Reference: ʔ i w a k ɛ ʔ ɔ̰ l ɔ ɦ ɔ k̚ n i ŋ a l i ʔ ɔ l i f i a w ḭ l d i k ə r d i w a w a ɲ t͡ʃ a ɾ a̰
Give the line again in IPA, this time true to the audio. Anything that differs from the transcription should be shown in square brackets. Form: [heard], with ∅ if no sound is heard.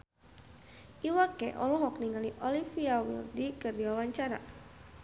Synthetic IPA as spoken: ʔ i w a k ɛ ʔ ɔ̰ l ɔ ɦ ɔ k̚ n i ŋ a l i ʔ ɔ l i f i a w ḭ l d i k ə r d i w a w a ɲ t͡ʃ a ɾ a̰